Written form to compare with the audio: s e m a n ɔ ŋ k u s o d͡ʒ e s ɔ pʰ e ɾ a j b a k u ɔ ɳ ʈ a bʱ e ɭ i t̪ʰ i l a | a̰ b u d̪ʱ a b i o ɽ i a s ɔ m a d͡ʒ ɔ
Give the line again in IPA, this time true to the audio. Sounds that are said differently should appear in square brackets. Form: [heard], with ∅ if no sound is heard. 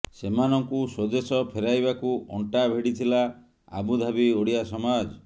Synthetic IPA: s e m a n ɔ ŋ k u s o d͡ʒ e s ɔ pʰ e ɾ a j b a k u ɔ ɳ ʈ a bʱ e [ɽ] i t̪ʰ i l a | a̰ b u d̪ʱ a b i o ɽ i a s ɔ m a d͡ʒ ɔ